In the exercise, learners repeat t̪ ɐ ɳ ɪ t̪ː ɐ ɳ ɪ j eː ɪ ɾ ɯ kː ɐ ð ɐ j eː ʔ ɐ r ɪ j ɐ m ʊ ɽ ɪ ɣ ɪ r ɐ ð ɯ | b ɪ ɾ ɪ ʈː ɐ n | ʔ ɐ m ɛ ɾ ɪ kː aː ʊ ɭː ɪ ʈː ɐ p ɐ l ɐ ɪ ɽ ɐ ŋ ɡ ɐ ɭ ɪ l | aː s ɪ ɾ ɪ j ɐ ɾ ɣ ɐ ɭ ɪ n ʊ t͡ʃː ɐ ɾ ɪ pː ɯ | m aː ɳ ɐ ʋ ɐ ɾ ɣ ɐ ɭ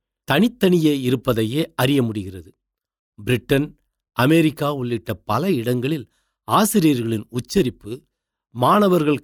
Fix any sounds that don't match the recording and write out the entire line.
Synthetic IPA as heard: t̪ ɐ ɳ ɪ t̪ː ɐ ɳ ɪ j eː ɪ ɾ ɯ pː ɐ ð ɐ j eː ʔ ɐ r ɪ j ɐ m ʊ ɽ ɪ ɣ ɪ r ɐ ð ɯ | b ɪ ɾ ɪ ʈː ɐ n | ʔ ɐ m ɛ ɾ ɪ kː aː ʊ ɭː ɪ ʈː ɐ p ɐ l ɐ ɪ ɽ ɐ ŋ ɡ ɐ ɭ ɪ l | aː s ɪ ɾ ɪ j ɐ ɾ ɣ ɐ ɭ ɪ n ʊ t͡ʃː ɐ ɾ ɪ pː ɯ | m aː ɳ ɐ ʋ ɐ ɾ ɣ ɐ ɭ